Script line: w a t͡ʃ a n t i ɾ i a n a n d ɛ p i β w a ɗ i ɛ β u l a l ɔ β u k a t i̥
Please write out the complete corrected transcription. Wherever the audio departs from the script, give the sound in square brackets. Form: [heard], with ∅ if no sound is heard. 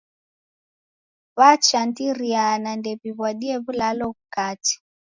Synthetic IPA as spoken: [β] a t͡ʃ a n t i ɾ i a n a n d ɛ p i β w a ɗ i ɛ β u l a l ɔ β u k a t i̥